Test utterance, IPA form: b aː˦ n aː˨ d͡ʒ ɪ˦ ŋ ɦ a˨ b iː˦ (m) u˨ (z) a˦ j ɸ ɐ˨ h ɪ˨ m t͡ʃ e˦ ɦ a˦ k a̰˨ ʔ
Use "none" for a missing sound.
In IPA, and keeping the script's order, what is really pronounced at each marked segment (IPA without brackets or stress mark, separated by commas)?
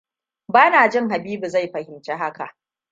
b, z